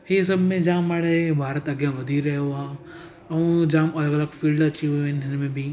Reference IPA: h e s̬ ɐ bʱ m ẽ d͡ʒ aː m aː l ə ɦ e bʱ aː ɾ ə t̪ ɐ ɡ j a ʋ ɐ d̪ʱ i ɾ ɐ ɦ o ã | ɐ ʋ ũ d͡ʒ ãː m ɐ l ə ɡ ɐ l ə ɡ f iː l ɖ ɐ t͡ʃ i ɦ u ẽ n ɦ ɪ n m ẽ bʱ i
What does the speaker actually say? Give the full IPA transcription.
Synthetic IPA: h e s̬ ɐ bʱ m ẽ d͡ʒ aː m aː ɽ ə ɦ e bʱ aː ɾ ə t̪ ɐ ɡ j a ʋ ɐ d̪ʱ i ɾ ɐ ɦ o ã | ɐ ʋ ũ d͡ʒ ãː m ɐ l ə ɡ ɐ l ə ɡ f iː l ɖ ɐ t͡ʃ i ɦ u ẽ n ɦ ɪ n m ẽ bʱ i